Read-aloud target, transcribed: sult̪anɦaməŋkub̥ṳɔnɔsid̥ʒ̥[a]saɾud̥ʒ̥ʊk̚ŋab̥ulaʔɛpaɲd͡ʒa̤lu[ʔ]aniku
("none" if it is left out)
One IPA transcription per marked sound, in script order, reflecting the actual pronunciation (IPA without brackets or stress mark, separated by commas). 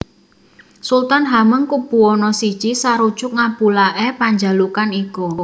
i, k